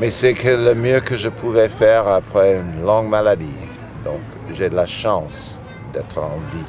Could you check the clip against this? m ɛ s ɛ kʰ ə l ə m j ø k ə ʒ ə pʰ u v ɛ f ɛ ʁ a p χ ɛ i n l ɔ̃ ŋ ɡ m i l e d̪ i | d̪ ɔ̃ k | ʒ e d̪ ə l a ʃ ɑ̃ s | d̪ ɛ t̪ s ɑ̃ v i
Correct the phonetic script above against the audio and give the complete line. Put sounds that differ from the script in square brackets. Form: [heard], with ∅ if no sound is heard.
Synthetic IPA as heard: m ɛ s ɛ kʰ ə l ə m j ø k ə ʒ ə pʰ u v ɛ f ɛ ʁ a p χ ɛ [y] n l ɔ̃ ŋ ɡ m [a] l [a] d̪ i | d̪ ɔ̃ k | ʒ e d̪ ə l a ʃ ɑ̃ s | d̪ ɛ t̪ [χ] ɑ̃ v i